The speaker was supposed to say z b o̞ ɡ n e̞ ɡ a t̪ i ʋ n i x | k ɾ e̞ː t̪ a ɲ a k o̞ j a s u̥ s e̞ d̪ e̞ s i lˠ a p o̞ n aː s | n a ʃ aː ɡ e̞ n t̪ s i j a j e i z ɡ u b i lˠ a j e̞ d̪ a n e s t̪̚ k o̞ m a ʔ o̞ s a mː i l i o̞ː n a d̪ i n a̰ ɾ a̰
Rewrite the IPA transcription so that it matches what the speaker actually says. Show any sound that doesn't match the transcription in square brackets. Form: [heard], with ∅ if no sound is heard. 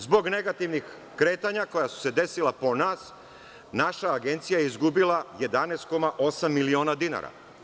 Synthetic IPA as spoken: z b o̞ ɡ n e̞ ɡ a t̪ i ʋ n i x | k ɾ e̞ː t̪ a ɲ a k o̞ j a s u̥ s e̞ d̪ e̞ s i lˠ a p o̞ n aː s | n a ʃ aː ɡ e̞ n t̪ s i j a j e i z ɡ u b i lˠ a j e̞ d̪ a n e s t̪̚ k o̞ m a ʔ o̞ s a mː i l i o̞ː n a d̪ i n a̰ ɾ a̰